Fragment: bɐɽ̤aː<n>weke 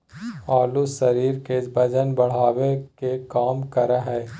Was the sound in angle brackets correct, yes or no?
no